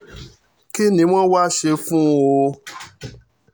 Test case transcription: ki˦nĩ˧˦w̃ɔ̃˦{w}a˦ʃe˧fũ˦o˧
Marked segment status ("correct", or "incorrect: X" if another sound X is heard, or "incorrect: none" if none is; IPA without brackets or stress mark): correct